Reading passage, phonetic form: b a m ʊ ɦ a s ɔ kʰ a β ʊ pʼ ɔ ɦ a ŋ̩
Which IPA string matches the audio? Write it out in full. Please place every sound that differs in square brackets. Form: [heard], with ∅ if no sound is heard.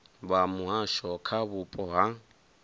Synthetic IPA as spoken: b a m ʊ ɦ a [ʃ] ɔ kʰ a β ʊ pʼ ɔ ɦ a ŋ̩